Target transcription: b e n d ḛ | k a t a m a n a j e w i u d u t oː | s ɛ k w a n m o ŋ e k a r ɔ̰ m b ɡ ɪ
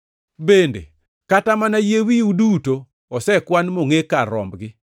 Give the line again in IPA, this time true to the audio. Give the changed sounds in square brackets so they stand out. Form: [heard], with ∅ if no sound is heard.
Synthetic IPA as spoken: b e n d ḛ | k a t a m a n a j e w i u d u t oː | s ɛ k w a n m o ŋ e k a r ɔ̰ m b ɡ ɪ